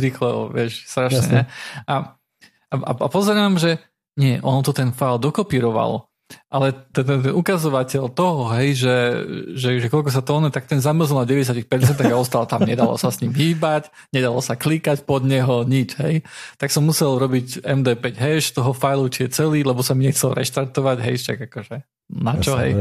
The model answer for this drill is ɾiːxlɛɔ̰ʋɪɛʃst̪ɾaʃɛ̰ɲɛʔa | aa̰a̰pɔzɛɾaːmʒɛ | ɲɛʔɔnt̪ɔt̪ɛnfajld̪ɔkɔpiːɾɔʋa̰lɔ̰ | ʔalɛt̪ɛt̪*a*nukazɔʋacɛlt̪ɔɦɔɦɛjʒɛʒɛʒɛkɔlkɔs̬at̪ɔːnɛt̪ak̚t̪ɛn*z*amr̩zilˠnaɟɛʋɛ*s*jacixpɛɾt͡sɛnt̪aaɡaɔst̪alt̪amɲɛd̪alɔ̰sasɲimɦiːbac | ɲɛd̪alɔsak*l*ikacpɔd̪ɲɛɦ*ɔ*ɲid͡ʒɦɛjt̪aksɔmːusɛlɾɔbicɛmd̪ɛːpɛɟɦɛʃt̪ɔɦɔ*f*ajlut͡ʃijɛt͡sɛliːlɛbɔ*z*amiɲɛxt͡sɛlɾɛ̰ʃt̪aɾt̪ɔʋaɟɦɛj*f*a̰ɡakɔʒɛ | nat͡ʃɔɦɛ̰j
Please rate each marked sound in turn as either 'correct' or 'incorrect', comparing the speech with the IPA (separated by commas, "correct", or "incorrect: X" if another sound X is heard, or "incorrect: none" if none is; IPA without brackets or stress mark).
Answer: incorrect: ɛ, correct, correct, correct, correct, correct, incorrect: s, incorrect: ʃ